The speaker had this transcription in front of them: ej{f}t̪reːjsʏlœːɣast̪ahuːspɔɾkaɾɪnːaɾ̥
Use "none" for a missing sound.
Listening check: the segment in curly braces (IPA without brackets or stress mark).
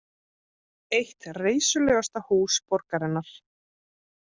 h